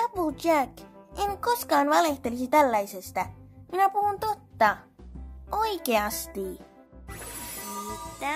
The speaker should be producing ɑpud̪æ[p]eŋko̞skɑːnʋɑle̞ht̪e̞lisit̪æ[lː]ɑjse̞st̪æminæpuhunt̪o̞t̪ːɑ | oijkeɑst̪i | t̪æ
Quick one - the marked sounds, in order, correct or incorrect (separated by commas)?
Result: incorrect, correct